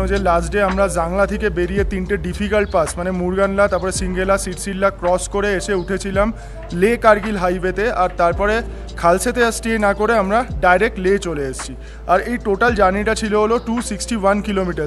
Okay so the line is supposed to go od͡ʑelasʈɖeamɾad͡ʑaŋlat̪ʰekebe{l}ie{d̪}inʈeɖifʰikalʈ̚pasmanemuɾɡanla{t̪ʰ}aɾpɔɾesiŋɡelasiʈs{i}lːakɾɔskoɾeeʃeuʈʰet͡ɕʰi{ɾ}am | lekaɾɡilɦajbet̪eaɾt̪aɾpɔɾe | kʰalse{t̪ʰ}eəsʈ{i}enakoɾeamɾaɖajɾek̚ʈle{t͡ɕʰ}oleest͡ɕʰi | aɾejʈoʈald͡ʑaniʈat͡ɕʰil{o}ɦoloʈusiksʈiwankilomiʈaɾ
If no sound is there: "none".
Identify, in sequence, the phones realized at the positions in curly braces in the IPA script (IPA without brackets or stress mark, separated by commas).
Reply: ɾ, t̪, t̪, i, l, t̪, i, t͡ɕ, o